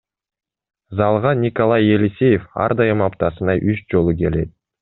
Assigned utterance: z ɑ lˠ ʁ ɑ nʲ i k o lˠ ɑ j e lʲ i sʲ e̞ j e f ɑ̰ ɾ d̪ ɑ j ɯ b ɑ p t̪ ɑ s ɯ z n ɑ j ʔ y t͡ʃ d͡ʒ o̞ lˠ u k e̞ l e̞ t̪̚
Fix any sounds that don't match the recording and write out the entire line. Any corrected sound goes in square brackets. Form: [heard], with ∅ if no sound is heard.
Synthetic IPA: z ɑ lˠ ʁ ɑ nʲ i k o lˠ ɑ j e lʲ i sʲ e̞ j e f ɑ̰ ɾ d̪ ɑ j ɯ [m] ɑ p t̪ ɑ s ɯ [∅] n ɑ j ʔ y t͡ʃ d͡ʒ o̞ lˠ u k e̞ l e̞ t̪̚